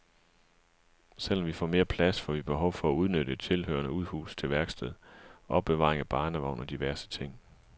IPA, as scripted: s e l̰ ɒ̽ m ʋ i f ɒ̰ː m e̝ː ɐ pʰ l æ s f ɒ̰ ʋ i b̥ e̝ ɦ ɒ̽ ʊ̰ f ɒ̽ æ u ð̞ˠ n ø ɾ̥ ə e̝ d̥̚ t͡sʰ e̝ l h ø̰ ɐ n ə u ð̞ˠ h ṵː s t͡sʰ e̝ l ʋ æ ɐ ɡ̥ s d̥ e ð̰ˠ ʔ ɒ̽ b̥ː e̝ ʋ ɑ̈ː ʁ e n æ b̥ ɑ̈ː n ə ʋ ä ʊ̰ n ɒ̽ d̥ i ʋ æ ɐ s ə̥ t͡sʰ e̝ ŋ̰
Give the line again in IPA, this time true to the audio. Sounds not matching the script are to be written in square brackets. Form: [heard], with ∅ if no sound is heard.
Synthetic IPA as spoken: s e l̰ ɒ̽ m ʋ i f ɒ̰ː m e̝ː ɐ pʰ l æ s f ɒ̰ ʋ i b̥ e̝ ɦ ɒ̽ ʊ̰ f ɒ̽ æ u ð̞ˠ n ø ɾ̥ ə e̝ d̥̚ t͡sʰ e̝ l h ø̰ ɐ n ə u ð̞ˠ h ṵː s t͡sʰ e̝ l ʋ æ ɐ ɡ̥ s d̥ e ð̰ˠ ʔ ɒ̽ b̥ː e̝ ʋ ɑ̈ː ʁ e [ŋ] æ b̥ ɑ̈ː n ə ʋ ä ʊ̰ n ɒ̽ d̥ i ʋ æ ɐ s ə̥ t͡sʰ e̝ ŋ̰